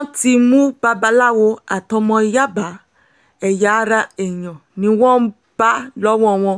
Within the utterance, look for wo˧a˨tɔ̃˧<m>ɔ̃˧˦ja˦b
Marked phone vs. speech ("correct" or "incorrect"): correct